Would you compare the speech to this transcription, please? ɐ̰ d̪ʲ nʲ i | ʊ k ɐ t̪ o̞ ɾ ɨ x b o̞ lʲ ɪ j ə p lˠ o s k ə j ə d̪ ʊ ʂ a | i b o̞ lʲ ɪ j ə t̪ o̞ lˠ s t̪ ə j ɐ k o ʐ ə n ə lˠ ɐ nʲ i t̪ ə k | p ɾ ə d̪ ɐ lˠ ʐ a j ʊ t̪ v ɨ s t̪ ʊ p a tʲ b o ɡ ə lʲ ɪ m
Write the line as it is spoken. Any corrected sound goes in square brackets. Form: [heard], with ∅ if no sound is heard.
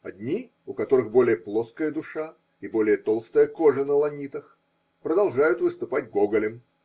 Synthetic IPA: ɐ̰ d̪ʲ nʲ i | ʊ k ɐ t̪ o̞ ɾ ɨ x b o̞ lʲ ɪ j ə p lˠ o s k ə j ə d̪ ʊ ʂ a | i b o̞ lʲ ɪ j ə t̪ o̞ lˠ s t̪ ə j [ə] k o ʐ ə n ə lˠ ɐ nʲ i t̪ ə [x] | p ɾ ə d̪ ɐ lˠ ʐ a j ʊ t̪ v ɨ s t̪ ʊ p a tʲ [ɡ] o ɡ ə lʲ ɪ m